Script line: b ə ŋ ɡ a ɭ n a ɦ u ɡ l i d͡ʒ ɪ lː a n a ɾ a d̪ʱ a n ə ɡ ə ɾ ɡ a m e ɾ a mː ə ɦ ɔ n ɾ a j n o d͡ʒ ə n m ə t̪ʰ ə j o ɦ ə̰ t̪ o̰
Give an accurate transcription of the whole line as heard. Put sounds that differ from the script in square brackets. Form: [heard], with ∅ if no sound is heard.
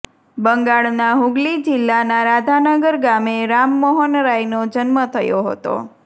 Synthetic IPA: b ə ŋ ɡ a ɭ n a ɦ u ɡ l i d͡ʒ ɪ lː a n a ɾ a d̪ʱ a n ə ɡ ə ɾ ɡ a m e ɾ a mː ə ɦ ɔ n ɾ a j n o d͡ʒ ə n m ə t̪ʰ ə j o ɦ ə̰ t̪ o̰